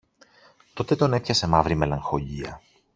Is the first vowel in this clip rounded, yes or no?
yes